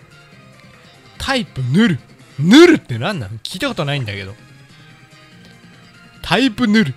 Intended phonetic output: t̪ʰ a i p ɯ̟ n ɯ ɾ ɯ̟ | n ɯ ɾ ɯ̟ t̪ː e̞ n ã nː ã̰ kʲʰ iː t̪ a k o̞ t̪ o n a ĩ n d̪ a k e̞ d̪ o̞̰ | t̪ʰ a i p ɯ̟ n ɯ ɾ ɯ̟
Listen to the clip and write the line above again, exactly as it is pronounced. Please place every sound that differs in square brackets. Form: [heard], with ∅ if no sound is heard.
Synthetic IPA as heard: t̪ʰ a i p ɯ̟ n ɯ ɾ ɯ̟ | n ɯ ɾ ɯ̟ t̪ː e̞ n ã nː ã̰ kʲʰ iː t̪ a k o̞ t̪ o n a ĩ n d̪ a k e̞ d̪ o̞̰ | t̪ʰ a i p ɯ̟ n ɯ ɾ ɯ̟

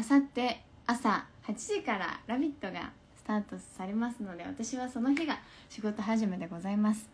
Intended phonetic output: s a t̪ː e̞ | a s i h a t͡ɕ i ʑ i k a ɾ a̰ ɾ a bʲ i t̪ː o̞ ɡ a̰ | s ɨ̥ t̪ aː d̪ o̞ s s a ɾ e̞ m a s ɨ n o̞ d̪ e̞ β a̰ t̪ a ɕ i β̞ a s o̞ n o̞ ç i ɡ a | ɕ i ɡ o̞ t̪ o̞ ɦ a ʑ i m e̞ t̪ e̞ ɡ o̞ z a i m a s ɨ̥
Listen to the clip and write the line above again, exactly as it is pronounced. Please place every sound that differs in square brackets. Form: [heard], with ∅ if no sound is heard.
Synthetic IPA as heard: s a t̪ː e̞ | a s [a] h a t͡ɕ i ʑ i k a ɾ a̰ ɾ a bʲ i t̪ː o̞ ɡ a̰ | s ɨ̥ t̪ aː [t̪] o̞ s s a ɾ e̞ m a s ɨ n o̞ d̪ e̞ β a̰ t̪ a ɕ i β̞ a s o̞ n o̞ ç i ɡ a | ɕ i ɡ o̞ t̪ o̞ ɦ a ʑ i m e̞ [d̪] e̞ ɡ o̞ z a i m a s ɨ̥

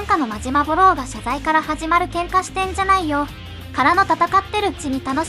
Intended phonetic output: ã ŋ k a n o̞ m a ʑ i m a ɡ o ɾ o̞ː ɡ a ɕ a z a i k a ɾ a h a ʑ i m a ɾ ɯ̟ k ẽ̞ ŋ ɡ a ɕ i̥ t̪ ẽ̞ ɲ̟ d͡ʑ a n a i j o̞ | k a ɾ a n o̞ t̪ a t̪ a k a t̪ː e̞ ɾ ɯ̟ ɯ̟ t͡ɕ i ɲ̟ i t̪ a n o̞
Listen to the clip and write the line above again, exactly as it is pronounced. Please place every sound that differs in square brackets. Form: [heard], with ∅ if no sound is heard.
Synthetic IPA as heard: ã ŋ k a n o̞ m a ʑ i m a [b] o ɾ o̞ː ɡ a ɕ a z a i k a ɾ a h a ʑ i m a ɾ ɯ̟ k ẽ̞ ŋ [k] a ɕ i̥ t̪ ẽ̞ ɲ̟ d͡ʑ a n a i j o̞ | k a ɾ a n o̞ t̪ a t̪ a k a t̪ː e̞ ɾ ɯ̟ ɯ̟ t͡ɕ i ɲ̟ i t̪ a n o̞

